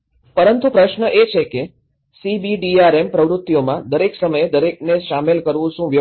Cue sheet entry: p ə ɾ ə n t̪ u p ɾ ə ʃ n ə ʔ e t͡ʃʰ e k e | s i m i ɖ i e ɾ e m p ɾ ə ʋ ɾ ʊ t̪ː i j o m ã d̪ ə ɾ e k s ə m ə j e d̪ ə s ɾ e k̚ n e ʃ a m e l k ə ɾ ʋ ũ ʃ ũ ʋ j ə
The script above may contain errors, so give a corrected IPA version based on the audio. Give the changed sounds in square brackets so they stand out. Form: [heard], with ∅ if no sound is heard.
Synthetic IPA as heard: p ə ɾ ə n t̪ u p ɾ ə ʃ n ə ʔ e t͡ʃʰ e k e | s i [b] i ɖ i [a] ɾ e m p ɾ ə ʋ ɾ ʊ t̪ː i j o m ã d̪ ə ɾ e k s ə m ə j e d̪ ə [∅] ɾ e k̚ n e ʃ a m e l k ə ɾ ʋ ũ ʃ ũ ʋ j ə